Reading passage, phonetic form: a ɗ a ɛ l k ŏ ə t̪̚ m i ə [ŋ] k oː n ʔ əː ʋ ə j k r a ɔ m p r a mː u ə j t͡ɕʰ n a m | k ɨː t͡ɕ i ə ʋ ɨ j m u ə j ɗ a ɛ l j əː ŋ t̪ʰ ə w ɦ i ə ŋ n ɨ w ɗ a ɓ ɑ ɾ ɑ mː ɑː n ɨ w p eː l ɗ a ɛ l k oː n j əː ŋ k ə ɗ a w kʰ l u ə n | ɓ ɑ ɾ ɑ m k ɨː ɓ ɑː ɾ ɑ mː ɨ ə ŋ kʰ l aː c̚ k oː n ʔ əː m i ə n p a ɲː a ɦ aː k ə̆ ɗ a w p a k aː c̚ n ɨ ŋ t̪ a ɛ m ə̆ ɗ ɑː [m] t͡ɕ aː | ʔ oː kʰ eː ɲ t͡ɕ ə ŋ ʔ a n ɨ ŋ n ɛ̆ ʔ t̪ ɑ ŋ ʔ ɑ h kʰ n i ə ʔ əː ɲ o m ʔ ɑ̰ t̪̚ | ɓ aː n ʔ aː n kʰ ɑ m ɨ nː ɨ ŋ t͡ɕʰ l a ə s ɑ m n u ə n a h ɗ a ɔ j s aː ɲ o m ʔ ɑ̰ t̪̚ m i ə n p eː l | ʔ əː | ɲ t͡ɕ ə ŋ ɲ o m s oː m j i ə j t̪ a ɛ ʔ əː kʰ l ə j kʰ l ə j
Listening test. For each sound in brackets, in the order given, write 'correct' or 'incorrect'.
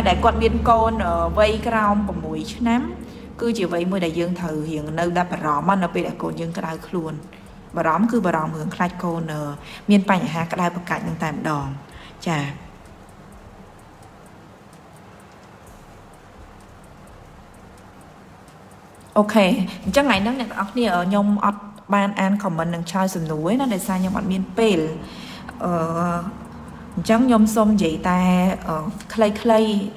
incorrect: n, incorrect: ŋ

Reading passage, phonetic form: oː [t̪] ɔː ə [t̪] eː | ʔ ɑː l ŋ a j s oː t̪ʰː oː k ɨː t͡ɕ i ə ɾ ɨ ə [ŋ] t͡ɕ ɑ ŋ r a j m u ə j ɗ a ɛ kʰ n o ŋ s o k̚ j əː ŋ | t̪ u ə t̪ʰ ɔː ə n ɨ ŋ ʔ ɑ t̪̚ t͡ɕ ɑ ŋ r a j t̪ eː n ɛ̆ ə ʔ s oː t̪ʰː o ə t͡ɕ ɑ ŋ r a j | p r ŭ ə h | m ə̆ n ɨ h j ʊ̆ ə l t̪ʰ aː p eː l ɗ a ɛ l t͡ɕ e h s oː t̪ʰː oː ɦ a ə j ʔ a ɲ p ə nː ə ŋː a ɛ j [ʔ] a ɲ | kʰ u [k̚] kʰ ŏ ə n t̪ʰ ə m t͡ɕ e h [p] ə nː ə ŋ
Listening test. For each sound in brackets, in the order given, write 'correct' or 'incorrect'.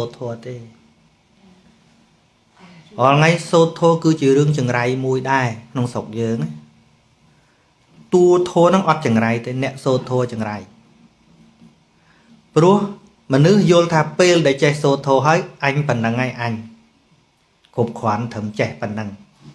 incorrect: t̪ʰ, correct, correct, correct, incorrect: p̚, correct

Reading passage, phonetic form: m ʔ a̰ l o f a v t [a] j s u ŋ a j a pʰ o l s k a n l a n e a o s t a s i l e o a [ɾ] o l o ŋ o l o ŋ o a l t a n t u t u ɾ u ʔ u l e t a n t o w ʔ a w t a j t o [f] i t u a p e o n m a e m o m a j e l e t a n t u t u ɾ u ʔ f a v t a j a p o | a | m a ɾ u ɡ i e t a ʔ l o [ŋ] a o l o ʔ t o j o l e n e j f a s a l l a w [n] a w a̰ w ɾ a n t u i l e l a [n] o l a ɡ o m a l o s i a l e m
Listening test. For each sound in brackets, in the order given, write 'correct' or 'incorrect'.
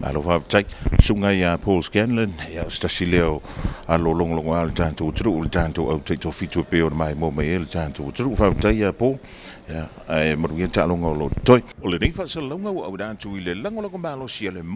correct, incorrect: l, correct, correct, incorrect: ŋ, incorrect: ŋ

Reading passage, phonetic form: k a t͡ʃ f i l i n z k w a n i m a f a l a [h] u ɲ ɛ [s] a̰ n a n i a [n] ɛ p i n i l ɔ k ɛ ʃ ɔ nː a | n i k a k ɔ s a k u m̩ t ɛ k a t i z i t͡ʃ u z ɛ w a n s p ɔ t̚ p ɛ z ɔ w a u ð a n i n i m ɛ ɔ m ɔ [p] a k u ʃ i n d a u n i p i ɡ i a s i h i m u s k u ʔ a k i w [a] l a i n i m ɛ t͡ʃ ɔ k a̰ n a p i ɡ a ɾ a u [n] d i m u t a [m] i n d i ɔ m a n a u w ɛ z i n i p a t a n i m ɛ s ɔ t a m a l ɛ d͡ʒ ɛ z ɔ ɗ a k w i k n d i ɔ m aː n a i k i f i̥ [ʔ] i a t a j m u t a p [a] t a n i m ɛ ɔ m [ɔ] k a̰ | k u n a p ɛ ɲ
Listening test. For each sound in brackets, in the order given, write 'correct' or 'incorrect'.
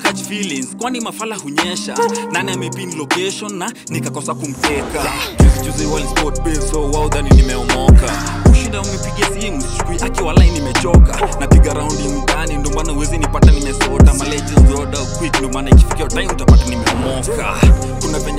correct, incorrect: ʃ, incorrect: m, incorrect: k, correct, correct, incorrect: n, incorrect: k, correct, correct

